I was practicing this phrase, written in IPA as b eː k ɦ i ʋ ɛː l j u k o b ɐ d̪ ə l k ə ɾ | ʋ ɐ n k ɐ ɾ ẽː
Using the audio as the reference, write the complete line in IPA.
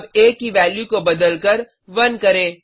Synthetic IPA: b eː k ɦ i ʋ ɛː l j u k o b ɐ d̪ ə l k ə ɾ | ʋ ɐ n k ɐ ɾ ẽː

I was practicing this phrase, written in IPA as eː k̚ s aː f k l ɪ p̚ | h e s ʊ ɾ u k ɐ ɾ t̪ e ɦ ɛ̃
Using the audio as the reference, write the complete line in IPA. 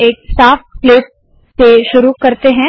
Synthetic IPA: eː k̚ s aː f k l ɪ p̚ | s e ʃ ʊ ɾ u k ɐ ɾ t̪ e ɦ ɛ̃

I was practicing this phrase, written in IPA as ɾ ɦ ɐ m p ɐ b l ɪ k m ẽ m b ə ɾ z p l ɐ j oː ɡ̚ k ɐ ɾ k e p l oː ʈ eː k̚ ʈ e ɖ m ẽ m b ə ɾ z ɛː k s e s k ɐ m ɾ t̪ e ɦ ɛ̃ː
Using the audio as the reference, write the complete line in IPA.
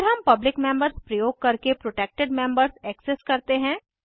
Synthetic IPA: ɾ ɦ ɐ m p ɐ b l ɪ k m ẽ m b ə ɾ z p ɾ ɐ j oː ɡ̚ k ɐ ɾ k e p ɾ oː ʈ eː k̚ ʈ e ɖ m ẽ m b ə ɾ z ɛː k s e s k ɐ ɾ t̪ e ɦ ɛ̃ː

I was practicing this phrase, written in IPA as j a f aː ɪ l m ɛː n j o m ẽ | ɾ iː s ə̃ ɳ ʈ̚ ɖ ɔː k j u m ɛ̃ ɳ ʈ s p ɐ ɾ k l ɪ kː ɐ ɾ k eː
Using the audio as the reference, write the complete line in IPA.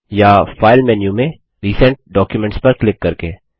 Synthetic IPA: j a f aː ɪ l m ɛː n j u m ẽ | ɾ iː s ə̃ ɳ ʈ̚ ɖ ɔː k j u m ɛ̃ ɳ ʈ s p ɐ ɾ k l ɪ kː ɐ ɾ k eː

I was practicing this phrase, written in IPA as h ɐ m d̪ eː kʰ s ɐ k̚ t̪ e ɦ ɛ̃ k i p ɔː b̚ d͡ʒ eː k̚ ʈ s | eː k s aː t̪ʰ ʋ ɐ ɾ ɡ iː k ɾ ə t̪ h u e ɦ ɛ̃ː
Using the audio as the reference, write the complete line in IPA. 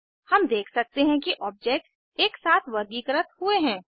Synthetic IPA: h ɐ m d̪ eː kʰ s ɐ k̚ t̪ e ɦ ɛ̃ k i ʔ ɔː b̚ d͡ʒ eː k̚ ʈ s | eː k s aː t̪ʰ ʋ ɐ ɾ ɡ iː k ɾ ə t̪ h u e ɦ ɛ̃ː

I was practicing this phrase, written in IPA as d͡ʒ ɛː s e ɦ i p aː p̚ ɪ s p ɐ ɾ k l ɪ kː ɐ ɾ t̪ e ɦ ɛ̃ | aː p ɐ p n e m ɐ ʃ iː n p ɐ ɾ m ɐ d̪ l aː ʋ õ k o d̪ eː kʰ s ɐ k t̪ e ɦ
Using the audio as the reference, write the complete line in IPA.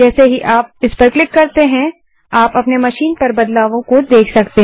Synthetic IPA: d͡ʒ ɛː s e ɦ i ʔ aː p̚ ɪ s p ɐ ɾ k l ɪ kː ɐ ɾ t̪ e ɦ ɛ̃ | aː p ɐ p n e m ɐ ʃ iː n p ɐ ɾ b ɐ d̪ l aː ʋ õ k o d̪ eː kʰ s ɐ k t̪ e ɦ

